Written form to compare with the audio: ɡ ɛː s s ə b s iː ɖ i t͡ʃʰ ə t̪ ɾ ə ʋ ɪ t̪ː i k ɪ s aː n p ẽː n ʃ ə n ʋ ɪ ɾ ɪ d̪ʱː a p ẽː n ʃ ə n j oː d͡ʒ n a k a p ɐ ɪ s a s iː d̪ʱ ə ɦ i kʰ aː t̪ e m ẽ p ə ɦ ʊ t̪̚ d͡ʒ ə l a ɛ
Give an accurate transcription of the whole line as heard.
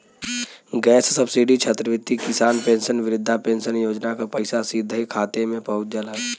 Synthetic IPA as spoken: ɡ ɛː s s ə b s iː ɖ i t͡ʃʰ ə t̪ ɾ ə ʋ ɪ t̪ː i k ɪ s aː n p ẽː n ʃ ə n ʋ ɪ ɾ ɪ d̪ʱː a p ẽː n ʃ ə n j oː d͡ʒ n a k a p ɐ ɪ s a s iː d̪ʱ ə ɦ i kʰ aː t̪ e m ẽ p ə ɦ ʊ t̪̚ d͡ʒ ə l a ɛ